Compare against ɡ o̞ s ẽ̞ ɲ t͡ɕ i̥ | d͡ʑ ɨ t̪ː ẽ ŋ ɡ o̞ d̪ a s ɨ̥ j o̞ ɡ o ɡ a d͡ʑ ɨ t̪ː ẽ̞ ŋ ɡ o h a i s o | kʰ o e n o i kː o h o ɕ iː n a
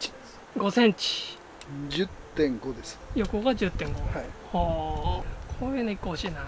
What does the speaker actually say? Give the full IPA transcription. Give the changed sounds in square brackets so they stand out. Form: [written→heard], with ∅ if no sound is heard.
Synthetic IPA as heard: ɡ o̞ s ẽ̞ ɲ t͡ɕ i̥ | d͡ʑ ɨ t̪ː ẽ ŋ ɡ o̞ d̪ [a→e] s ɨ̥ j o̞ [ɡ→k] o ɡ a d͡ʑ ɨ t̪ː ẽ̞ ŋ ɡ o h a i [s→h] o | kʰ o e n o i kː o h o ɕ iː n a

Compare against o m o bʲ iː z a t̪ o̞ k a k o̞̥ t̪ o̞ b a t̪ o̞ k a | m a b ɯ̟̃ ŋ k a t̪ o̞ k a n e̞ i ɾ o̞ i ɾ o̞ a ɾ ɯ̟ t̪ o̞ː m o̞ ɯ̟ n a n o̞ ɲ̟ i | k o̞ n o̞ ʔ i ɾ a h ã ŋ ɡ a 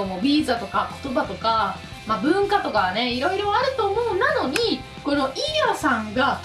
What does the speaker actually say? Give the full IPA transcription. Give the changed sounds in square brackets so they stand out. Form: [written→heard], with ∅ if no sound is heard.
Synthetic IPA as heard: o m o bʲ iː z a t̪ o̞ k a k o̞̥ t̪ o̞ b a t̪ o̞ k a | m a b ɯ̟̃ ŋ k a t̪ o̞ k a n e̞ i ɾ o̞ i ɾ o̞ a ɾ ɯ̟ t̪ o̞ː m o̞ ɯ̟ n a n o̞ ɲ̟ i | k o̞ n o̞ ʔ i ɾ a [h→s] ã ŋ ɡ a

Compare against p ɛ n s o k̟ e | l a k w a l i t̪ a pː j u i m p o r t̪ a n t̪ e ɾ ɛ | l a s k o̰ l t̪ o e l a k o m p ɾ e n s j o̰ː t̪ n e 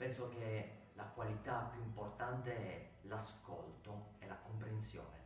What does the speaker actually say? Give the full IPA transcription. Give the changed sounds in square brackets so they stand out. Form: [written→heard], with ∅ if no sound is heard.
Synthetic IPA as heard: p ɛ n s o k̟ e | l a k w a l i t̪ a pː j u i m p o r t̪ a n t̪ e [ɾ→∅] ɛ | l a s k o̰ l t̪ o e l a k o m p ɾ e n s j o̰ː [t̪→∅] n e

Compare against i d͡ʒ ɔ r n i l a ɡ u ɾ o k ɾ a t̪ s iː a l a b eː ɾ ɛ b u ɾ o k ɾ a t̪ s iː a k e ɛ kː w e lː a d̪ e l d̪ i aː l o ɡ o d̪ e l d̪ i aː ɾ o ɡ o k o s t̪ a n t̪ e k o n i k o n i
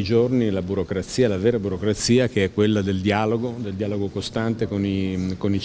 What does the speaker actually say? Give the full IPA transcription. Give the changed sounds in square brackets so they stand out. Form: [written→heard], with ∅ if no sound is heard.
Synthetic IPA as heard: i d͡ʒ [ɔ→o] r n i l a [ɡ→b] u ɾ o k ɾ a t̪ s iː a l a [b→v] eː ɾ [ɛ→a] b u ɾ o k ɾ a t̪ s iː a k e ɛ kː w e lː a d̪ e l d̪ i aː l o ɡ o d̪ e l d̪ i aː [ɾ→l] o ɡ o k o s t̪ a n t̪ e k o n i k o n i

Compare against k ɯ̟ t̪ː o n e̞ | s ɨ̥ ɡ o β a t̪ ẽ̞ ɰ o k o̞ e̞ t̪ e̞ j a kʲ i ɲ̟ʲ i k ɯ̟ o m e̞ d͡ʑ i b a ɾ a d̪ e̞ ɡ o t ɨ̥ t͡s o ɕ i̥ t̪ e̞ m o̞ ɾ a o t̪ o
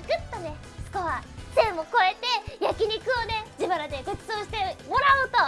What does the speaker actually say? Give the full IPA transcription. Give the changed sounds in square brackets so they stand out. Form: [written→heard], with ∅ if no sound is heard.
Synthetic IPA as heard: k ɯ̟ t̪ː o n e̞ | s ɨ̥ [ɡ→k] o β a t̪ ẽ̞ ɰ o k o̞ e̞ t̪ e̞ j a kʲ i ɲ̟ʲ i k ɯ̟ o [m→n] e̞ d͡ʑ i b a ɾ a d̪ e̞ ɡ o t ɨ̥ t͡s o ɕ i̥ t̪ e̞ m o̞ ɾ a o t̪ o

